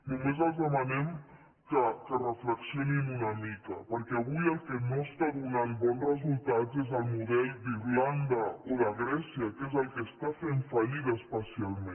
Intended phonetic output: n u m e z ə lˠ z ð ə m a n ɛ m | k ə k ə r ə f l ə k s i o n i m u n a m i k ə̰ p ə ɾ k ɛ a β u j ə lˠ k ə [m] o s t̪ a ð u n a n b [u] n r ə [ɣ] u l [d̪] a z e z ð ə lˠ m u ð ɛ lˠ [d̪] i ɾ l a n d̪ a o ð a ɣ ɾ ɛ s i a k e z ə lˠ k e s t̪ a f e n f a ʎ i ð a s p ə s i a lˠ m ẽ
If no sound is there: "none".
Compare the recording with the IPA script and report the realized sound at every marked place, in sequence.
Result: n, ɔ, z, t̪, d̪

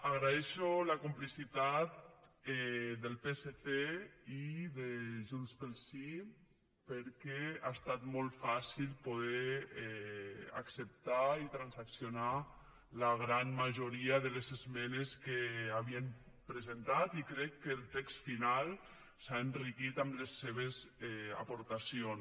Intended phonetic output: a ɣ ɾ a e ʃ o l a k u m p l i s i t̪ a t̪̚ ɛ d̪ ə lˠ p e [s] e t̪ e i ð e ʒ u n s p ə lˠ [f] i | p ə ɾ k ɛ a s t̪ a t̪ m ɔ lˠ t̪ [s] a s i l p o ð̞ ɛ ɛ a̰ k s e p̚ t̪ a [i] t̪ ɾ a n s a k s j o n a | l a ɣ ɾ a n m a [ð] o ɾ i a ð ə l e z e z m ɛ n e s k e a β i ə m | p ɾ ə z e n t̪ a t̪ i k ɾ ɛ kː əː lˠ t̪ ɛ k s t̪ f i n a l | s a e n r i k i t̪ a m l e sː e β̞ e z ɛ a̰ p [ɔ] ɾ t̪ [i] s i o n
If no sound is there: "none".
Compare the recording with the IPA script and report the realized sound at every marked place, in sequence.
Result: s, s, f, i, ʒ, o, a

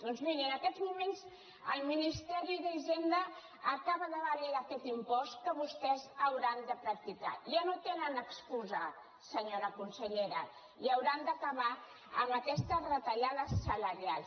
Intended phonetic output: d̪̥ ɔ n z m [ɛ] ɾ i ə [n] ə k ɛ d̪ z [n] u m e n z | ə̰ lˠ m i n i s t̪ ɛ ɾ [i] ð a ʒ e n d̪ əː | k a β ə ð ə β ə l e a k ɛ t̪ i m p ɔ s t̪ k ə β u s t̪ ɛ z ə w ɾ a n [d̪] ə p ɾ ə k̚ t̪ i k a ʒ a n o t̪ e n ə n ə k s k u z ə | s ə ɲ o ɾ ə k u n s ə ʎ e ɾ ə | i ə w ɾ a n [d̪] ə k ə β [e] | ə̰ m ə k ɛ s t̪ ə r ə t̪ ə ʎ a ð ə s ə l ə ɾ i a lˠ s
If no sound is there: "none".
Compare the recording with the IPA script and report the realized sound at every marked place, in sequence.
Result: i, n, m, i, d̪, d̪, a

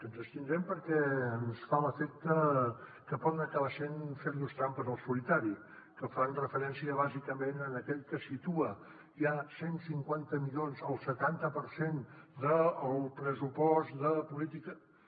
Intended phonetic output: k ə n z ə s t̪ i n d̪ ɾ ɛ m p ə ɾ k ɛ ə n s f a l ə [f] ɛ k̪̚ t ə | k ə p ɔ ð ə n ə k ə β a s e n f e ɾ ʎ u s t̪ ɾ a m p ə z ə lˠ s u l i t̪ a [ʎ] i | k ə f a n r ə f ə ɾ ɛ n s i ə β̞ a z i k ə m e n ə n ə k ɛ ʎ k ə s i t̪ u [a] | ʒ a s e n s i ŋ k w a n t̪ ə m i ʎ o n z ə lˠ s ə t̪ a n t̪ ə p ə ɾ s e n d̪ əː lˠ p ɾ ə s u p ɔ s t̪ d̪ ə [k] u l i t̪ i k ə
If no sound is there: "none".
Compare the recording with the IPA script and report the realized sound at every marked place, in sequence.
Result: f, ɾ, ə, p

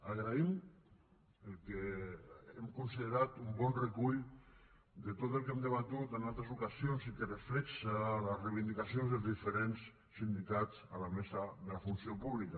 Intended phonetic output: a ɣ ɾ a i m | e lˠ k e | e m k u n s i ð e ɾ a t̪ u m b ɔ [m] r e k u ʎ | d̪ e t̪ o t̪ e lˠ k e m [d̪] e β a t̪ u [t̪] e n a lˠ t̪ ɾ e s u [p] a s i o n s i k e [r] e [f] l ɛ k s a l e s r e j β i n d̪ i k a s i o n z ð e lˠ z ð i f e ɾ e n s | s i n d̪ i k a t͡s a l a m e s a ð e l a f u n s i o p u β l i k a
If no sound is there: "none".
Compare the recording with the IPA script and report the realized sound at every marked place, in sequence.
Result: n, d̪, t̪, k, r, f

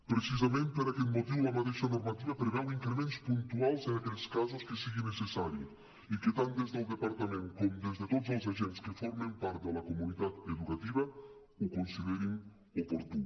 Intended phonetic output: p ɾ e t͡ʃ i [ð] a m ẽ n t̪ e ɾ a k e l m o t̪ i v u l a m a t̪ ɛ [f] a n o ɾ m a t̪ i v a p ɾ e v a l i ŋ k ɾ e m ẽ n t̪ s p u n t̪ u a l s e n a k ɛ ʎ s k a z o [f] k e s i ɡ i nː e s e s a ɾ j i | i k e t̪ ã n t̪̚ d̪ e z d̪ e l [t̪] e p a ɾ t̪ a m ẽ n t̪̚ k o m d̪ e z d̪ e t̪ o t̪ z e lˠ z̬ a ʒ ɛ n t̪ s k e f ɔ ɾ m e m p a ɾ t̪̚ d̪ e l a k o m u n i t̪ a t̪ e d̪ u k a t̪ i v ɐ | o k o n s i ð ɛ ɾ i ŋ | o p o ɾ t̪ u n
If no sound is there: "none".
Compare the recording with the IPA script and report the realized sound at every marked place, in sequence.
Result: z, ʃ, s, d̪

